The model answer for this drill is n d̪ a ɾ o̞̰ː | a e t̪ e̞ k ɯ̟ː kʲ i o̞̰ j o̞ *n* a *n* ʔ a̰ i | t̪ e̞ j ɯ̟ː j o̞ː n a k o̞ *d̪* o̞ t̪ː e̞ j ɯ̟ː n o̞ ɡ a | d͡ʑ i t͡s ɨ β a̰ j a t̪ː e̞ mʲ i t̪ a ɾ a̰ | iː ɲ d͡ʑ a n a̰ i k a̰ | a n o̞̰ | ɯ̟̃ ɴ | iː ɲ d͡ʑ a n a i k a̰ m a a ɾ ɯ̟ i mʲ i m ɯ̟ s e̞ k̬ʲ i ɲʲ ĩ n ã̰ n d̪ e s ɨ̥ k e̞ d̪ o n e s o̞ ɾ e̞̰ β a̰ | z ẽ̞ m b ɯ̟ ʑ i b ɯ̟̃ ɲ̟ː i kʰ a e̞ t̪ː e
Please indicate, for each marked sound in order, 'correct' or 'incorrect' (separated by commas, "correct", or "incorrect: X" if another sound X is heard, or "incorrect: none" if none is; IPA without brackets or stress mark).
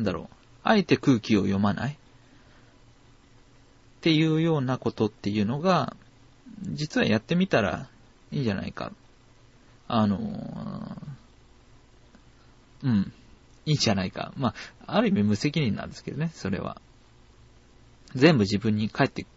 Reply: incorrect: m, correct, incorrect: t̪